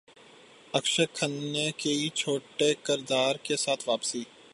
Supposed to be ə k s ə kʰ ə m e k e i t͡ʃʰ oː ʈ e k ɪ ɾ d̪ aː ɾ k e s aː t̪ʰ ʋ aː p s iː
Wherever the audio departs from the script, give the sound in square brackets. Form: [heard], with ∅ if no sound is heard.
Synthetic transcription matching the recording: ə k [ʃ] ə kʰ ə [n] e k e i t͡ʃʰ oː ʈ e k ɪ ɾ d̪ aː ɾ k e s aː t̪ʰ ʋ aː p s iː